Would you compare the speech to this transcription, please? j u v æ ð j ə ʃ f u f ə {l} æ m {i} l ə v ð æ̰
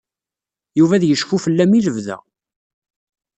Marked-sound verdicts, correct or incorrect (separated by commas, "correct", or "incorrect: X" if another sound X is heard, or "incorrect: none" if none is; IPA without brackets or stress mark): incorrect: lː, correct